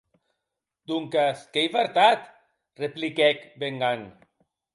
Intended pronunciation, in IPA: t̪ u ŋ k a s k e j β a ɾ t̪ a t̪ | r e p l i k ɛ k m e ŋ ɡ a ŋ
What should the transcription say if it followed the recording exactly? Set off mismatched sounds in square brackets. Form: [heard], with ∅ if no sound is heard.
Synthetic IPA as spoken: [d̪] u ŋ k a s k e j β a ɾ t̪ a t̪ | r e p l i k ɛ k [b] e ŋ ɡ a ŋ

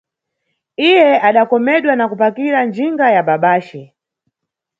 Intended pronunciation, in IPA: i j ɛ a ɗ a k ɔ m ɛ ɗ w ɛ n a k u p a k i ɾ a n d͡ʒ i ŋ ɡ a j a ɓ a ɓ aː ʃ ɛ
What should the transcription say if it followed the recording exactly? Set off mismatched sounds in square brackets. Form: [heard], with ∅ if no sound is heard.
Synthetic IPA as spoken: i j ɛ a ɗ a k ɔ m ɛ ɗ w [a] n a k u p a k i ɾ a n d͡ʒ i ŋ ɡ a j a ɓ a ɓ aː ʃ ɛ

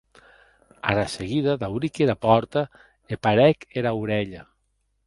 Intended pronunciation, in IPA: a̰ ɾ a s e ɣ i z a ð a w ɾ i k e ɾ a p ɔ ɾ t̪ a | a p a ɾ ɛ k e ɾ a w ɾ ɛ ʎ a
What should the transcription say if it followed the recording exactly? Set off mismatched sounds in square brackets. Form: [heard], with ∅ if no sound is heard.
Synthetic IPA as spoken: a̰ ɾ a s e ɣ i [ð] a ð a w ɾ i k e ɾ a p ɔ ɾ t̪ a | [e] p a ɾ ɛ k e ɾ a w ɾ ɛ ʎ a

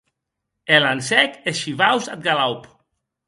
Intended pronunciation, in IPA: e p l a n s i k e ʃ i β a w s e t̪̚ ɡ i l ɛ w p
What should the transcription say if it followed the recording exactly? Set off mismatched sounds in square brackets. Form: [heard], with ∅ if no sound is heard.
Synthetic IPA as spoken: e [∅] l a n s [ɛ] k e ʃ i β a w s [a] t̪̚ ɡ [a] l [a] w p

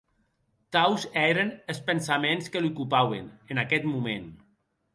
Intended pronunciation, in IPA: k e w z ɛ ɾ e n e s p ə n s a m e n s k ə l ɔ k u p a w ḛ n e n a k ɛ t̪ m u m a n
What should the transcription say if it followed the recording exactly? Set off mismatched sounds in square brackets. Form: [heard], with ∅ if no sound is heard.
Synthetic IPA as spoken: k [a] w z ɛ ɾ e n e s p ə n s a m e n s k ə l [u] k u p a w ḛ n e n a k ɛ t̪ m u m [e] n

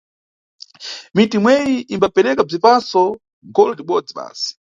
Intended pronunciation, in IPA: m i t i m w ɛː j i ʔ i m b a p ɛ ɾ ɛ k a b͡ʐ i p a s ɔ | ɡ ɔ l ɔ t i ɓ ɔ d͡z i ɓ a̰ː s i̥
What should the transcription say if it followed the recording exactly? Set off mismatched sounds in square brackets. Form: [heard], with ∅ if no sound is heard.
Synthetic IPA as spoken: m i t i m w [ɛ] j i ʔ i m b a p ɛ ɾ ɛ k a b͡ʐ i p a s ɔ | ɡ ɔ l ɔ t i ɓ ɔ d͡z i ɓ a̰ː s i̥

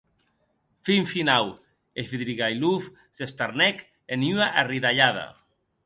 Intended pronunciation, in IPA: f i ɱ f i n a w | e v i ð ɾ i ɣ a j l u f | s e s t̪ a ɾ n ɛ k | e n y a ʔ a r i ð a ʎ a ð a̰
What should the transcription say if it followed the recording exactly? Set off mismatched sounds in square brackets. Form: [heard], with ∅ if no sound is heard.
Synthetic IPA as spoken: f i ɱ f i n a w | e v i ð ɾ i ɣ a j l u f | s e s t̪ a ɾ n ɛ k | e n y a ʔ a r i ð a ʎ a ð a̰

